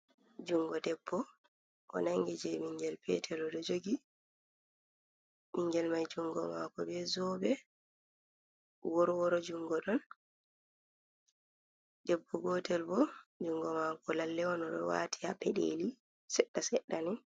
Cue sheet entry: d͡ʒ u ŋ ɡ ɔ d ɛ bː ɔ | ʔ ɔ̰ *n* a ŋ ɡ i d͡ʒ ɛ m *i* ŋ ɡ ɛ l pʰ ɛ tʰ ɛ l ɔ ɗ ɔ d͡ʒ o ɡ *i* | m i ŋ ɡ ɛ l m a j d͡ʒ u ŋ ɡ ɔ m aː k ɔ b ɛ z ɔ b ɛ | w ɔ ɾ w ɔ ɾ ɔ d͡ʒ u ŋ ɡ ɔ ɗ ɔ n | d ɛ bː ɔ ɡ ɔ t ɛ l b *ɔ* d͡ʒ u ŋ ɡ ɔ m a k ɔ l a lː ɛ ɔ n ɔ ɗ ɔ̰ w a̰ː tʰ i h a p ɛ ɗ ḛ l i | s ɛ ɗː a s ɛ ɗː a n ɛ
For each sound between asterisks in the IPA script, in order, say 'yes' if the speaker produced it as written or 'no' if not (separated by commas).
yes, yes, yes, yes